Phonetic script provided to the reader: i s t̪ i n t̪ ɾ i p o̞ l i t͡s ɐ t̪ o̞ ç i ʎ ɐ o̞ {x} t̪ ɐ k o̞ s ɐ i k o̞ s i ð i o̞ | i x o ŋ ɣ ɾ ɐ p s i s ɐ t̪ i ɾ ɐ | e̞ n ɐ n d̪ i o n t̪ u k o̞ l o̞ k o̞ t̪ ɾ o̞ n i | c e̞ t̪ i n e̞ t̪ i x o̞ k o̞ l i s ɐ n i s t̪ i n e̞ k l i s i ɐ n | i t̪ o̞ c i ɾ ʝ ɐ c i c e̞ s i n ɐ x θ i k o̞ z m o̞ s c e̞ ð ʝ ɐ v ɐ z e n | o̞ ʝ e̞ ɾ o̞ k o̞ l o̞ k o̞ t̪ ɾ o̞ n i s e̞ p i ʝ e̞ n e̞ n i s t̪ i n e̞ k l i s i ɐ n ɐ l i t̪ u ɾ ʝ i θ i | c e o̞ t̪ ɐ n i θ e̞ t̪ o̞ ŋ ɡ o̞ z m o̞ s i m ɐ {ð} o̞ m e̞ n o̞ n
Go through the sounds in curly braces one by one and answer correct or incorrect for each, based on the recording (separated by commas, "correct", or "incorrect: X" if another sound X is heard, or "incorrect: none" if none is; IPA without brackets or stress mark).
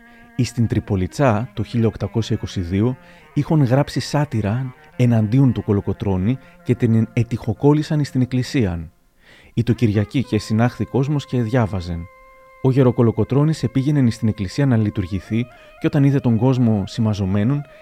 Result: incorrect: k, incorrect: z